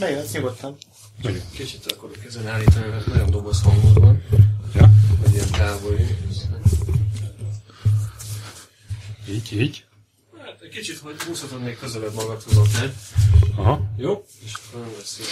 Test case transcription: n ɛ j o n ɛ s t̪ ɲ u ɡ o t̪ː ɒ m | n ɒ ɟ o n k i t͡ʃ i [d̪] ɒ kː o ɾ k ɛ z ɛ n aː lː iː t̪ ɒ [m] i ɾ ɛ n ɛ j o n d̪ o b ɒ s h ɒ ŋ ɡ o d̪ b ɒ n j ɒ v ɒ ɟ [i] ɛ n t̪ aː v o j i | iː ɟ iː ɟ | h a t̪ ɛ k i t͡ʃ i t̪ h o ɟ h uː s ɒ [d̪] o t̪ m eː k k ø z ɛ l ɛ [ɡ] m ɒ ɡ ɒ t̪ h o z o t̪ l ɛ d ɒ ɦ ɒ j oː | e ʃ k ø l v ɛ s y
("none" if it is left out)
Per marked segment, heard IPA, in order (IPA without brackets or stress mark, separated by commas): t̪, n, i, t̪, b